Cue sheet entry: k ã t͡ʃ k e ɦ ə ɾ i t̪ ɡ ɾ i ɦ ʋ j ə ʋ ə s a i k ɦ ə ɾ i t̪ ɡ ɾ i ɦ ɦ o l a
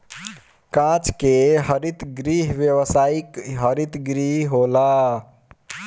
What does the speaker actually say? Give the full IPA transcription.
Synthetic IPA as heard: k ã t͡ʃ k e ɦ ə ɾ i t̪ ɡ ɾ i ɦ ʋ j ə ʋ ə s a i k ɦ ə ɾ i t̪ ɡ ɾ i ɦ ɦ o l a